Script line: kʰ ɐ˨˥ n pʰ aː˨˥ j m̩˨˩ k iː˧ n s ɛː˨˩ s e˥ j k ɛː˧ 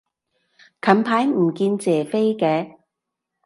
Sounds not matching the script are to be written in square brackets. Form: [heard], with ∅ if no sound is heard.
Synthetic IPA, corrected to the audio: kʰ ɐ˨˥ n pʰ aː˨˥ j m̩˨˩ k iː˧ n [t͡s] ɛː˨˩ [f] e˥ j k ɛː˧